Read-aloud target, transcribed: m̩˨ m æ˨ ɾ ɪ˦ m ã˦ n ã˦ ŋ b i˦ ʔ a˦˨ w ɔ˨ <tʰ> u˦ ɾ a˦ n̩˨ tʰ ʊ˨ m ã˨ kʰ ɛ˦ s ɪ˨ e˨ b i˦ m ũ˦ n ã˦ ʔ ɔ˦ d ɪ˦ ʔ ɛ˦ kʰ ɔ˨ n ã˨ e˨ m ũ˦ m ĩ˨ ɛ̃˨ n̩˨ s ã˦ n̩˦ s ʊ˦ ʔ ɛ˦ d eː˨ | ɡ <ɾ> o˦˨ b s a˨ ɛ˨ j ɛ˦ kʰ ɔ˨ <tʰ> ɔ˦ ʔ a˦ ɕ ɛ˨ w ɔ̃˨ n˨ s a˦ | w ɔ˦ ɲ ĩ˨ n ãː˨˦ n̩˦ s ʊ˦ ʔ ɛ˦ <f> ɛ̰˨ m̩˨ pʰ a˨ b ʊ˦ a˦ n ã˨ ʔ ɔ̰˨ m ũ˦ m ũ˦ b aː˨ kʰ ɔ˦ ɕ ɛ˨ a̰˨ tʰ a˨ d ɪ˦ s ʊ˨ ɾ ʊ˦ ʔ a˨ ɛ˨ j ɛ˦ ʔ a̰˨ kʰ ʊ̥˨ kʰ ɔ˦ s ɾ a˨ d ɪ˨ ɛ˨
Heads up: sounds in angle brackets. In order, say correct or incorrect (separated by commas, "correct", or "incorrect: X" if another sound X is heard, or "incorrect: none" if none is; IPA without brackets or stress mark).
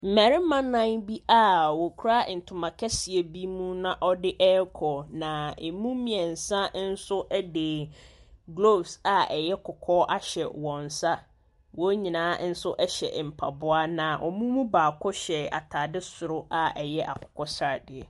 incorrect: kʰ, incorrect: l, incorrect: kʰ, incorrect: ɕ